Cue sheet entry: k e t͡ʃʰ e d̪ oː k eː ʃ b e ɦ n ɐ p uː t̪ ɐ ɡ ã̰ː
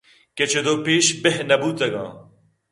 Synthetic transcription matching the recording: k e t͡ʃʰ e d̪ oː p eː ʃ b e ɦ n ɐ b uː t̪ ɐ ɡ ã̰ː